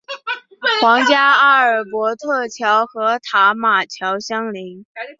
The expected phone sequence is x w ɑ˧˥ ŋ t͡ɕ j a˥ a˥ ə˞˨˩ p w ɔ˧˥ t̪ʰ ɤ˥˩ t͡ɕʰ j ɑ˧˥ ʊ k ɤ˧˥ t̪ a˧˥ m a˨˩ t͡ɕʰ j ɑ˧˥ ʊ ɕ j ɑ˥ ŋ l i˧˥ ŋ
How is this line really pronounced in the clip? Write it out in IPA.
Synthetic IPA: x w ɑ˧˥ ŋ t͡ɕ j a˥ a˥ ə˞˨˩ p w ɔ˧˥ t̪ʰ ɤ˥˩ t͡ɕʰ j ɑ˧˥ ʊ x ɤ˧˥ t̪ʰ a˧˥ m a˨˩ t͡ɕʰ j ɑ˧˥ ʊ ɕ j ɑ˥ ŋ l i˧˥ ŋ